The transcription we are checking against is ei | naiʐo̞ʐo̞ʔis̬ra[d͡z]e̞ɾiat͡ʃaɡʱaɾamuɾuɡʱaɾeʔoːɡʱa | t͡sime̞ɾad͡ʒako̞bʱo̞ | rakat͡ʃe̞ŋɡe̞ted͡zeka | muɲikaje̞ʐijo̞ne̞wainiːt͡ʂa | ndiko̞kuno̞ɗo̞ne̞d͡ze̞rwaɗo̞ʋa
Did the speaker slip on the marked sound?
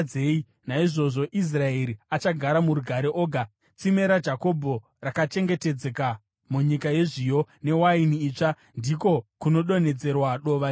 yes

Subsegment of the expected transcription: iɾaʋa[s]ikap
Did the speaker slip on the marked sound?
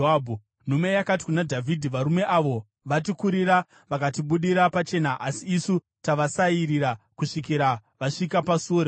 yes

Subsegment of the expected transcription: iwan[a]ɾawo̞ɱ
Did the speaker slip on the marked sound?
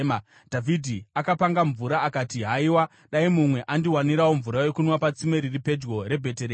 yes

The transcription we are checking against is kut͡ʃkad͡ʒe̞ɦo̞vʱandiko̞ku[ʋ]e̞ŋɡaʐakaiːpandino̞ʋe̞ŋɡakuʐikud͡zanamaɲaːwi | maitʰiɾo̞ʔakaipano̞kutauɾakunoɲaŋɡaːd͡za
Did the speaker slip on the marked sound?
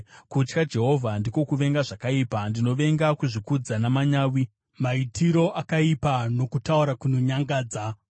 no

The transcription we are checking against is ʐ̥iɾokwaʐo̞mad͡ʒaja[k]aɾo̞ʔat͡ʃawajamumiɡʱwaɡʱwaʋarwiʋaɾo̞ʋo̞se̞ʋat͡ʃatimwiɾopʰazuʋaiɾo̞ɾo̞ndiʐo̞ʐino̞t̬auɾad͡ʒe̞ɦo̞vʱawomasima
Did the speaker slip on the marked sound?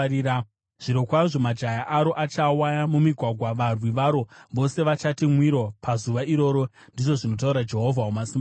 yes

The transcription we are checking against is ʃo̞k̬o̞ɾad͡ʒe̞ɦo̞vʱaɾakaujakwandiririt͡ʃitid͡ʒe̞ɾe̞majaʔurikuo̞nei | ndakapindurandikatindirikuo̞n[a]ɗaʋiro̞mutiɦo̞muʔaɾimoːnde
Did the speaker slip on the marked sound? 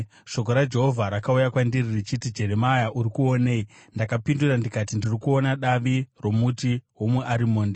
no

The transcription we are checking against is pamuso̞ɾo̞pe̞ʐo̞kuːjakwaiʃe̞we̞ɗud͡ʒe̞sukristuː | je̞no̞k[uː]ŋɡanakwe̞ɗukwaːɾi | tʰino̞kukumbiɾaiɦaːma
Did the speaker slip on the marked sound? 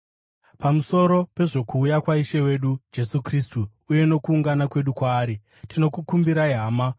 no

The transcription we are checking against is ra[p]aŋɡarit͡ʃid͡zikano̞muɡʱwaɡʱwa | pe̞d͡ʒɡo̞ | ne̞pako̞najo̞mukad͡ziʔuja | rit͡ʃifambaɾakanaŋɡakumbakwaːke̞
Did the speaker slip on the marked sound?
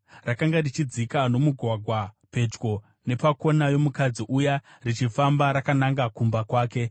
yes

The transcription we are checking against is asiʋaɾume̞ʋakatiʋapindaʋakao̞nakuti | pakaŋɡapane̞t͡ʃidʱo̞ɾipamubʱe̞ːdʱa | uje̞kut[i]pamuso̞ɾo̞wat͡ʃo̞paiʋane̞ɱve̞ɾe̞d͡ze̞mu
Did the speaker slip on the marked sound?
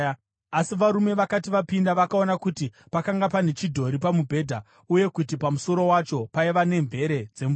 no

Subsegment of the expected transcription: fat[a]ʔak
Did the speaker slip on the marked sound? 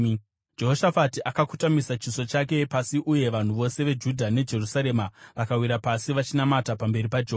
yes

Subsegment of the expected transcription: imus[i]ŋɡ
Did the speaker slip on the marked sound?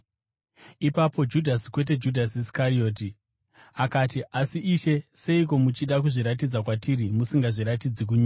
no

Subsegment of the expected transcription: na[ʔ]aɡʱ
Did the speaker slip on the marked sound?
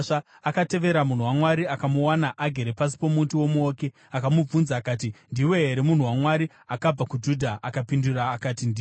no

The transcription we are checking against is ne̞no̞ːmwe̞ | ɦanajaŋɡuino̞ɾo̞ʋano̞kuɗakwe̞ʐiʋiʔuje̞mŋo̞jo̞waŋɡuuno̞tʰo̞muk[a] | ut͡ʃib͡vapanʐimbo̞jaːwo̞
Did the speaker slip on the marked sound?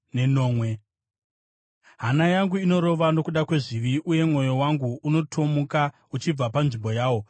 no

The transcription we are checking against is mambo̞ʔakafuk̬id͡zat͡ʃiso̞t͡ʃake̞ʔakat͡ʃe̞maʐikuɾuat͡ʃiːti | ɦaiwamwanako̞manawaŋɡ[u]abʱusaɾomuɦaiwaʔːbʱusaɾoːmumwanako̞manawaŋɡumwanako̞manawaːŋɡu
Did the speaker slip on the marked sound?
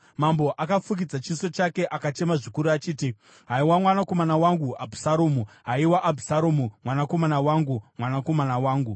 no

